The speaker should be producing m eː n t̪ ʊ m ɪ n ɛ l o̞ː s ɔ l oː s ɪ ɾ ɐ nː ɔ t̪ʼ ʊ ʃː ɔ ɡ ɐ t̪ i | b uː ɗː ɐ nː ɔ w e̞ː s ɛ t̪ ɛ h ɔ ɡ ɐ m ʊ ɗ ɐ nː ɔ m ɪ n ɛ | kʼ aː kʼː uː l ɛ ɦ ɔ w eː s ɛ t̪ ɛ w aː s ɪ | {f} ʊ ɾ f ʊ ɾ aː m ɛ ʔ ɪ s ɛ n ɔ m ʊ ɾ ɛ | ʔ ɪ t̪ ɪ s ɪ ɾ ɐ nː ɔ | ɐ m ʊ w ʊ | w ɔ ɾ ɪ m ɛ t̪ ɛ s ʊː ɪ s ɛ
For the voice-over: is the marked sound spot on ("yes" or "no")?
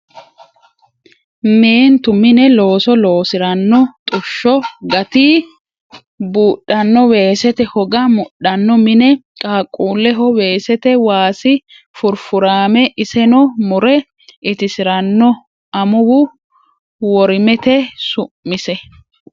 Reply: yes